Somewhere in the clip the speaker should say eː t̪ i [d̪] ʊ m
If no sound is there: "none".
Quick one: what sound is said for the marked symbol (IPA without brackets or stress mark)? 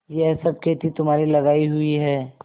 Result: t̪